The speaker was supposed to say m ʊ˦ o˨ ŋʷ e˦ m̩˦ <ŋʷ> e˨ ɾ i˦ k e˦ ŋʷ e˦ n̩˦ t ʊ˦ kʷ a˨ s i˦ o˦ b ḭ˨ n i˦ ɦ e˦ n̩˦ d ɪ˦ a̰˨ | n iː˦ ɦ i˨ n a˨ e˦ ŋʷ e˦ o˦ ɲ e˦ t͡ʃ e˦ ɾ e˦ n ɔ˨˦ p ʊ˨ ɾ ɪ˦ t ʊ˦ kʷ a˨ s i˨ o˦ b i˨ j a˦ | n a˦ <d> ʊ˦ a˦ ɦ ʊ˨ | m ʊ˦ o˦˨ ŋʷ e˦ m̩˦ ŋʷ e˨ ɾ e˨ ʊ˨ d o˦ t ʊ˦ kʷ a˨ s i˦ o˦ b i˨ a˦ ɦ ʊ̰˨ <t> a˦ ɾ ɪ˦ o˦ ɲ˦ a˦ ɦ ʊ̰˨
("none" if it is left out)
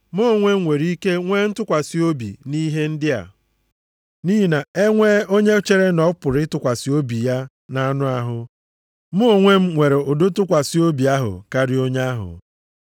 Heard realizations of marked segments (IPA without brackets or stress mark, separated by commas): ŋʷ, n, k